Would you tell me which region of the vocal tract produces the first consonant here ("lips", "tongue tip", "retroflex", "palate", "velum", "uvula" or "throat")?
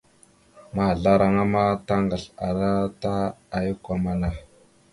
lips